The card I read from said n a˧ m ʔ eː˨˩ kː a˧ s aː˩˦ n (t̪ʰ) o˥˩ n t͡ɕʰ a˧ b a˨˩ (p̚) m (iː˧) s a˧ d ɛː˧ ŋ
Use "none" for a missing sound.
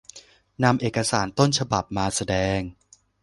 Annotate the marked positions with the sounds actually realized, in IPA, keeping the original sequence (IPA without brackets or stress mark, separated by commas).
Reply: t̪, p̚, aː˧